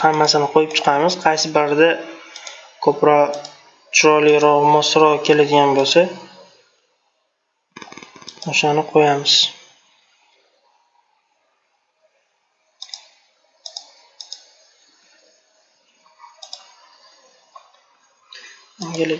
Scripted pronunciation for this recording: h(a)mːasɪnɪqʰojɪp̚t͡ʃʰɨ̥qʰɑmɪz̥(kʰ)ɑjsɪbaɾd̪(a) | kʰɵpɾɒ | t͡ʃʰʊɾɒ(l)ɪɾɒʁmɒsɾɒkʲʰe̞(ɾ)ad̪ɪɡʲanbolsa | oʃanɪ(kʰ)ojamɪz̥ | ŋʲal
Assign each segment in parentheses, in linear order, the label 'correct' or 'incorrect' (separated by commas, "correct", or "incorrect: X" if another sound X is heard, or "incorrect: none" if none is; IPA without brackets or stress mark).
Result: correct, incorrect: qʰ, correct, correct, incorrect: l, incorrect: qʰ